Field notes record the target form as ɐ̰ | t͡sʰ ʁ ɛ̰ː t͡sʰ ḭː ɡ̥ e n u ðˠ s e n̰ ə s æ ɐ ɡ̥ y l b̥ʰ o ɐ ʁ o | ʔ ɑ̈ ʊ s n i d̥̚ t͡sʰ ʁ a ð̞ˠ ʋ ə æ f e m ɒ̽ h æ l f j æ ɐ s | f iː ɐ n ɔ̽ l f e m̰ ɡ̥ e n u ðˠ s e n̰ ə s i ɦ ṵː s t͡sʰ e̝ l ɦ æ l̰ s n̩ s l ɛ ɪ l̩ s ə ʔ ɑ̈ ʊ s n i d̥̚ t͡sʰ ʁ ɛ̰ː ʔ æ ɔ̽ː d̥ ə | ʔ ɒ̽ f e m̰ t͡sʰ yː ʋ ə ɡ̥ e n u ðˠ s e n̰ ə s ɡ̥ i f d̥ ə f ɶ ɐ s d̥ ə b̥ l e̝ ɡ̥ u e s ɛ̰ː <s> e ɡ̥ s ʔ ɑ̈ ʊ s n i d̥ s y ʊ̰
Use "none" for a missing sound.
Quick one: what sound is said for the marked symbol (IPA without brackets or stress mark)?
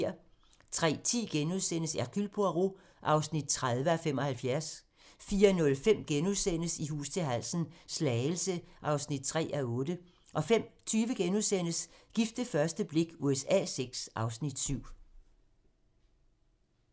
s